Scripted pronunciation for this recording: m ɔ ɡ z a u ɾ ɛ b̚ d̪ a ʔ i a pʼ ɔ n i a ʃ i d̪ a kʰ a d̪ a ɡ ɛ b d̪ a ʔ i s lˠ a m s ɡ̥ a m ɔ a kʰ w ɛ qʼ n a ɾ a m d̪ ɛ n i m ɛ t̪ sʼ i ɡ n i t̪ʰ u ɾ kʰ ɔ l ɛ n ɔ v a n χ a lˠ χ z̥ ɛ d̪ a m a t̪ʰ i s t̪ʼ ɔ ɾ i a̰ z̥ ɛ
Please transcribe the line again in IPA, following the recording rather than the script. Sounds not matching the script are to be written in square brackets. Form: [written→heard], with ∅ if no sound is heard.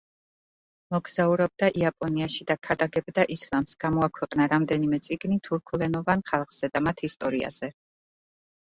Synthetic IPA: m ɔ ɡ z a u ɾ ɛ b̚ d̪ a ʔ i a pʼ ɔ n i a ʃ i d̪ a kʰ a d̪ a ɡ ɛ b d̪ a ʔ i s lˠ a m s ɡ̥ a m ɔ a kʰ w ɛ qʼ n a ɾ a m d̪ ɛ n i m ɛ t̪ sʼ i ɡ n i t̪ʰ u ɾ kʰ [ɔ→u] l ɛ n ɔ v a n χ a lˠ χ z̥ ɛ d̪ a m a t̪ʰ i s t̪ʼ ɔ ɾ i a̰ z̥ ɛ